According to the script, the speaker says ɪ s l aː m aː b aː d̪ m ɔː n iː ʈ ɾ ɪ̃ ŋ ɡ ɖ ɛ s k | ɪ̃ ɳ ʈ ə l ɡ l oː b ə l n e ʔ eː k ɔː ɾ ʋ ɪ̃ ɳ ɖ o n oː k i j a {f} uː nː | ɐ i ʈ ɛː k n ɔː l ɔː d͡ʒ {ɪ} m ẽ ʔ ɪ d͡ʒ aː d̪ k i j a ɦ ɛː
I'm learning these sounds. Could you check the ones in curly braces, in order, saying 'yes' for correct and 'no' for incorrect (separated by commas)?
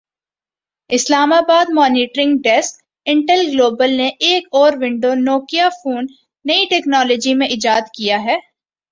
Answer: yes, no